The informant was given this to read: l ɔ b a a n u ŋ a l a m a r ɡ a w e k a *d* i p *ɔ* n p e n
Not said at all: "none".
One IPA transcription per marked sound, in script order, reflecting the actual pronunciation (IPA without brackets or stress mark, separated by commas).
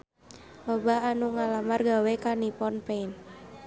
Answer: n, ɔ